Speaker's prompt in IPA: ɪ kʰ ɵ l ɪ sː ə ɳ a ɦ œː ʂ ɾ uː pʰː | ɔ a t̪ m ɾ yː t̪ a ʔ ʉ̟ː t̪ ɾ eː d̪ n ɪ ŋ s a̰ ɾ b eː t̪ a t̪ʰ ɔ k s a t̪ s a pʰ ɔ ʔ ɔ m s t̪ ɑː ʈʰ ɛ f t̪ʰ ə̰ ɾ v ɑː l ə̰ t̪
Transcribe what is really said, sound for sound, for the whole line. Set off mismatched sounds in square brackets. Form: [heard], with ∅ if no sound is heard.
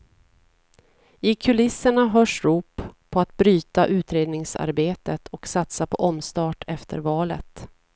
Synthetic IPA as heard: ɪ kʰ ɵ l ɪ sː ə ɳ a ɦ œː ʂ ɾ uː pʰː | ɔ a t̪ [b] ɾ yː t̪ a ʔ ʉ̟ː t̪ ɾ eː d̪ n ɪ ŋ s a̰ ɾ b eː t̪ [ə] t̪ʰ ɔ k s a t̪ s a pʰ ɔ ʔ ɔ m s t̪ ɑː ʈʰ ɛ f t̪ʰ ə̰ ɾ v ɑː l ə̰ t̪